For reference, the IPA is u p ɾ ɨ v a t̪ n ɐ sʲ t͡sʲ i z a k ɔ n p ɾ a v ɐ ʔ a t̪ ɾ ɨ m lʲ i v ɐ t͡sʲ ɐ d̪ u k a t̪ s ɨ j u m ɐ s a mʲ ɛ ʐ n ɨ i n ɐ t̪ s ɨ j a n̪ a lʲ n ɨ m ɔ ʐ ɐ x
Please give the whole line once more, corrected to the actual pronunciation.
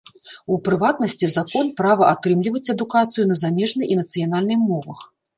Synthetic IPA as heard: u p ɾ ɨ v a t̪ n ɐ sʲ t͡sʲ i z a k ɔ n p ɾ a v ɐ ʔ a t̪ ɾ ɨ m lʲ i v ɐ t͡sʲ ɐ d̪ u k a t̪ s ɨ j u n ɐ z a mʲ ɛ ʐ n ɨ i n ɐ t̪ s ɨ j a n̪ a lʲ n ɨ m ɔ v ɐ x